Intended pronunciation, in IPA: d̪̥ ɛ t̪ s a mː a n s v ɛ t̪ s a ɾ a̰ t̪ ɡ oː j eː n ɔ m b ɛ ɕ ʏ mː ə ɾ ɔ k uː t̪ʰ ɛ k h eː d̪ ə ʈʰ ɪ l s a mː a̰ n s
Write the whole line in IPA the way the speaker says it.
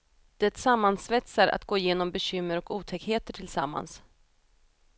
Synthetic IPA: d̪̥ ɛ t̪ s a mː a n s v ɛ t̪ s a ɾ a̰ t̪ ɡ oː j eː n ɔ m b ɛ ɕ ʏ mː ə ɾ ɔ k uː t̪ʰ ɛ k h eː t̪ ə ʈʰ ɪ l s a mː a̰ n s